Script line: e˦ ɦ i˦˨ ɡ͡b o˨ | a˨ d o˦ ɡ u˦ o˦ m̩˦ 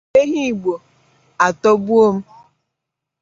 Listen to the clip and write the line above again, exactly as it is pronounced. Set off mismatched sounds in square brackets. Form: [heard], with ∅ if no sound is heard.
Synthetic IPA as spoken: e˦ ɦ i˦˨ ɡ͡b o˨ | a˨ [t] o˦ [b] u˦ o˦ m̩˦